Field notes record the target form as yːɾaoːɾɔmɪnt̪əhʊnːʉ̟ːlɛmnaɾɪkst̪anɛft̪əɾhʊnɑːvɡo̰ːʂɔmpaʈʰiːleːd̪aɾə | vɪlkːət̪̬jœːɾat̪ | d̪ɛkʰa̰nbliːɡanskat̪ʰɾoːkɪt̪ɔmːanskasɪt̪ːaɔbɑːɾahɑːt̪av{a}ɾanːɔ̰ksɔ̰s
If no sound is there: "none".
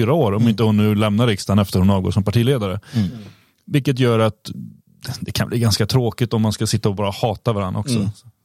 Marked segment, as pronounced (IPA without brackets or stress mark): a